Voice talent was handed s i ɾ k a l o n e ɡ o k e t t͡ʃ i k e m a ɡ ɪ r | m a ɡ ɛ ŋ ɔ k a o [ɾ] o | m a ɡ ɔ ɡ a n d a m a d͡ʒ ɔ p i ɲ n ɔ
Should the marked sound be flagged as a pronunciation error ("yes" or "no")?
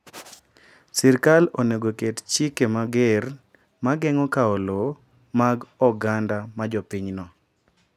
yes